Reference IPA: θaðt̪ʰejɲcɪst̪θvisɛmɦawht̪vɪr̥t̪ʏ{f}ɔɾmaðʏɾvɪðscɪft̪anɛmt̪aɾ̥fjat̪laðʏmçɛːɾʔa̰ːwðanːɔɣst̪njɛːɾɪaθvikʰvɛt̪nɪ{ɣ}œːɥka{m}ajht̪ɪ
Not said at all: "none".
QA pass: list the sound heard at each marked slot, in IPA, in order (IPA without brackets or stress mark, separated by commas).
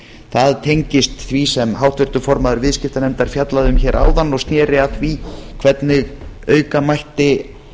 f, ɣ, m